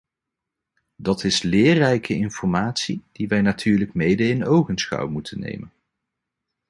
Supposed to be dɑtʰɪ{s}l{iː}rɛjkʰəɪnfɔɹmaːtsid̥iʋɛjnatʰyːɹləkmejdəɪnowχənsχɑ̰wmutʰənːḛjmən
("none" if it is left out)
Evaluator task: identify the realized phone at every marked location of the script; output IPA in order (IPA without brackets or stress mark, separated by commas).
s, ɪː